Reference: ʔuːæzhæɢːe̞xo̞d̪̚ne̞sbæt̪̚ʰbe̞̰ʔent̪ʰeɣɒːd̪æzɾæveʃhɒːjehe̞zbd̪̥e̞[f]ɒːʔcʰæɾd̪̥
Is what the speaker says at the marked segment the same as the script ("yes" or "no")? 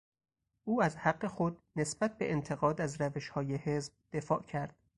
yes